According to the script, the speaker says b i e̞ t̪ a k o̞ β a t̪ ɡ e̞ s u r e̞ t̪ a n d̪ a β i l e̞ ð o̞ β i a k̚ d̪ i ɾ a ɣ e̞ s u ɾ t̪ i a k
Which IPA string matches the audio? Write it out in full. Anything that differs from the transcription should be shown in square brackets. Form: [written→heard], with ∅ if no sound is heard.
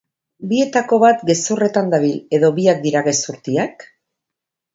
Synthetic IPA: b i e̞ t̪ a k o̞ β a t̪ ɡ e̞ s u r e̞ t̪ a n d̪ a β i l e̞ ð o̞ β i a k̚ d̪ i ɾ a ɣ e̞ s u ɾ t̪ i a k

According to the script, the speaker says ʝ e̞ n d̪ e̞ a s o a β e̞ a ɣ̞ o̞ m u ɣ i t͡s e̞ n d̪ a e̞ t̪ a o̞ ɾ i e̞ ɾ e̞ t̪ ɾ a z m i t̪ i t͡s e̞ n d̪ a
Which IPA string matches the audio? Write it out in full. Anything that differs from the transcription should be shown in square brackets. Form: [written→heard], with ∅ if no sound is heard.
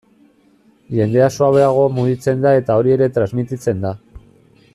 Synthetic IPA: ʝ e̞ n d̪ e̞ a s o a β e̞ a ɣ̞ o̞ m u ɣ i t͡s e̞ n d̪ a e̞ t̪ a o̞ ɾ i e̞ ɾ e̞ t̪ ɾ a z m i t̪ i t͡s e̞ n d̪ a

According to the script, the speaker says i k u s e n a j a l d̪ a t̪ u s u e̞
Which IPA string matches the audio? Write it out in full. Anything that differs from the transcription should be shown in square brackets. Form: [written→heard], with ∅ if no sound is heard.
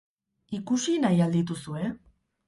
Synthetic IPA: i k u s [e→i] n a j a l d̪ [a→i] t̪ u s u e̞

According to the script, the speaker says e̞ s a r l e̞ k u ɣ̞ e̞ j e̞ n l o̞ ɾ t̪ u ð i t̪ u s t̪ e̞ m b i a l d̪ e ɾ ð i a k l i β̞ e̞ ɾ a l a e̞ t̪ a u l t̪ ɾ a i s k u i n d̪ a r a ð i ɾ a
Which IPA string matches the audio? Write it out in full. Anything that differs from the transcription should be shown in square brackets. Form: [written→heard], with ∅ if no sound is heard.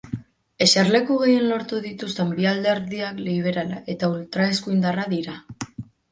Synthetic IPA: e̞ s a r l e̞ k u ɣ̞ e̞ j e̞ n l o̞ ɾ t̪ u ð i t̪ u s t̪ e̞ m b i a l d̪ e ɾ ð i a k l i β̞ e̞ ɾ a l a e̞ t̪ a u l t̪ ɾ a [i→e] s k u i n d̪ a r a ð i ɾ a

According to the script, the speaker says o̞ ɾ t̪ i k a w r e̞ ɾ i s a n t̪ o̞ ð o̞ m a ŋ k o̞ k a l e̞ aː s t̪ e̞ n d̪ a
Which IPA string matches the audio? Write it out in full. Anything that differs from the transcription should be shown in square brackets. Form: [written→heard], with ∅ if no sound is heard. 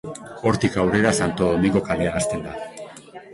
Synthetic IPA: o̞ ɾ t̪ i k a w r e̞ ɾ [i→a] s a n t̪ o̞ ð o̞ m [a→i] ŋ [k→ɡ] o̞ k a l e̞ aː s t̪ e̞ n d̪ a

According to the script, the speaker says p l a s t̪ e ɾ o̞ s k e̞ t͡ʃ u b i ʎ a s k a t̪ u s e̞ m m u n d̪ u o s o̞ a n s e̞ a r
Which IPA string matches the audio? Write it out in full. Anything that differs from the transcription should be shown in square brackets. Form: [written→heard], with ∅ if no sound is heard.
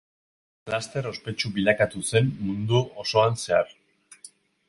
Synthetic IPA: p l a s t̪ e ɾ o̞ s [k→p] e̞ t͡ʃ u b i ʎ a [s→∅] k a t̪ u s e̞ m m u n d̪ u o s o̞ a n s e̞ a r

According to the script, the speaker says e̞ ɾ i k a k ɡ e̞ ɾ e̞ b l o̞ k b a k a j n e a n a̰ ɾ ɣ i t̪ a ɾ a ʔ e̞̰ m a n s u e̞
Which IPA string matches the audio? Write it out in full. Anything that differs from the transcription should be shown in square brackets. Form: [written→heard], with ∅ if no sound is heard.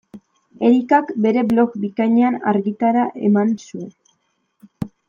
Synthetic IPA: e̞ ɾ i k a k [ɡ→b] e̞ ɾ e̞ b l o̞ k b [a→i] k a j [n→ɲ] e a n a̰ ɾ ɣ i t̪ a ɾ a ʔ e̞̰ m a n s u e̞

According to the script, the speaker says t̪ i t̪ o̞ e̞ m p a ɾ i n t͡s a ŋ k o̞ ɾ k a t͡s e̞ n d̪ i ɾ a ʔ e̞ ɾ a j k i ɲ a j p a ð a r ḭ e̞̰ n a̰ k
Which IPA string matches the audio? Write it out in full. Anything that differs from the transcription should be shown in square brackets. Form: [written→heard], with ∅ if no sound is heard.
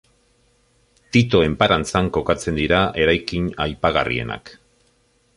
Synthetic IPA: t̪ i t̪ o̞ e̞ m p a ɾ [i→a] n t͡s a ŋ k o̞ [ɾ→∅] k a t͡s e̞ n d̪ i ɾ a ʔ e̞ ɾ a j k i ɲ a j p a [ð→ɣ] a r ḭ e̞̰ n a̰ k

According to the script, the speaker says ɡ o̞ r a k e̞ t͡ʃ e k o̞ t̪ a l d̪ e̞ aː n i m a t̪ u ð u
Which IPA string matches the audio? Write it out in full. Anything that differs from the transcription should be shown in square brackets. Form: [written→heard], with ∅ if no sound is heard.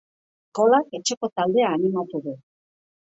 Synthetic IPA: [ɡ→k] o̞ [r→l] a k e̞ t͡ʃ e k o̞ t̪ a l d̪ e̞ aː n i m a t̪ u ð u

